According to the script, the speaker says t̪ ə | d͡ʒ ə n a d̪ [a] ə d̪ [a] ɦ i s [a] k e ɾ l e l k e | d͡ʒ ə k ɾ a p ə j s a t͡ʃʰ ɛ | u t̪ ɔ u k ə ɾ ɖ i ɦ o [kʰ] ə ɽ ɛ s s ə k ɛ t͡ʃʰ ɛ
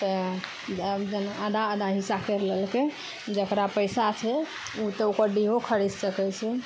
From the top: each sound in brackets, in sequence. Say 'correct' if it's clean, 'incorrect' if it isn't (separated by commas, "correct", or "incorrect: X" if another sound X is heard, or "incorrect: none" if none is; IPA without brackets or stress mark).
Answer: correct, correct, correct, correct